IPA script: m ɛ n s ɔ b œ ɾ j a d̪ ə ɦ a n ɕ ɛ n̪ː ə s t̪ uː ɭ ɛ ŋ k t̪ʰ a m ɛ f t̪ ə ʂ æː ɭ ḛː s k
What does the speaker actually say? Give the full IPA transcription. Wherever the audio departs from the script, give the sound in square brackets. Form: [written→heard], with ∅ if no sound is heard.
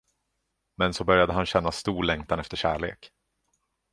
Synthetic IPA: m ɛ n s ɔ b œ ɾ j a d̪ ə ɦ a n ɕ ɛ n̪ː [ə→a] s t̪ uː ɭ ɛ ŋ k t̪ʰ a [m→n] ɛ f t̪ ə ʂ æː ɭ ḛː [s→∅] k